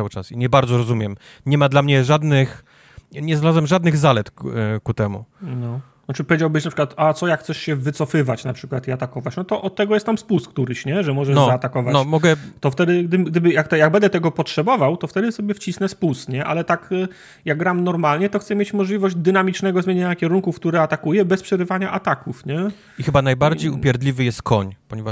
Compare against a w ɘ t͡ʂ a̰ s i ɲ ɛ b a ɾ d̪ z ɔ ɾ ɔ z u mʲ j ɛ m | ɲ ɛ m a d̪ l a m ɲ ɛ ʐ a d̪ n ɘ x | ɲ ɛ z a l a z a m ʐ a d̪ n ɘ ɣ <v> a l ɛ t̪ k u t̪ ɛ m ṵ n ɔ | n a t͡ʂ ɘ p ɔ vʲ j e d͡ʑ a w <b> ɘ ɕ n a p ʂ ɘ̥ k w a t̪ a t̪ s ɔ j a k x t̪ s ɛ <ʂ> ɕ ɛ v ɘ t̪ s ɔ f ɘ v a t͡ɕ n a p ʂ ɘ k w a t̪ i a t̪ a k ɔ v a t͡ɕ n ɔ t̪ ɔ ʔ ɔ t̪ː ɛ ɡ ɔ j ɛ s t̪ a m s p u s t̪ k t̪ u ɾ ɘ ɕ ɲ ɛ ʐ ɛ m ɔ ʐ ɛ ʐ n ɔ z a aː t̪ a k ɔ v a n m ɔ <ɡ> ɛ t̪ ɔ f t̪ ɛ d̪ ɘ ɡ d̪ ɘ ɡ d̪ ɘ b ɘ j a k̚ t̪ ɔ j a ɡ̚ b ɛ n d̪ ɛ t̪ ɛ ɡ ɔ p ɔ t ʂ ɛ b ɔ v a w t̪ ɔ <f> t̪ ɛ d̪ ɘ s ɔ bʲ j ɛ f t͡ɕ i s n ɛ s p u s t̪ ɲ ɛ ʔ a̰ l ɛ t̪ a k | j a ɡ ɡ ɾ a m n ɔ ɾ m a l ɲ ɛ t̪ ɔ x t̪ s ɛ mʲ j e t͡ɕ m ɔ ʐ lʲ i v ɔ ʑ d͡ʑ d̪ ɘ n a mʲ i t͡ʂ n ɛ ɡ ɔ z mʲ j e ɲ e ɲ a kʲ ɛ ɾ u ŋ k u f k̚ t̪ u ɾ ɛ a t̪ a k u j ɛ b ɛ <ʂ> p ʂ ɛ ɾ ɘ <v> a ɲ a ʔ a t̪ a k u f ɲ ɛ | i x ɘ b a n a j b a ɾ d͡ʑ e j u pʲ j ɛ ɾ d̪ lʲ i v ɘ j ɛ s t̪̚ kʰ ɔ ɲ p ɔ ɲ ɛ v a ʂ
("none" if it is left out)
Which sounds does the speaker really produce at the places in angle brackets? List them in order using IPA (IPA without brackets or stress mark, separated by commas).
z, b, ʂ, ɡ, f, s, v